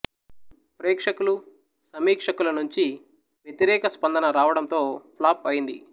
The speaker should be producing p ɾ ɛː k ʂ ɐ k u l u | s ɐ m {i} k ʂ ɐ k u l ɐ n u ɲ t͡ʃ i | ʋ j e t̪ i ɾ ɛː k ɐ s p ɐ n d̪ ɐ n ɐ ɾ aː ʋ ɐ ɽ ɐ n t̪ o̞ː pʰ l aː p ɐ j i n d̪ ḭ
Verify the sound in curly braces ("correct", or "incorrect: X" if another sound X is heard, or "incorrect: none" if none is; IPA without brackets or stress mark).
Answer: incorrect: iː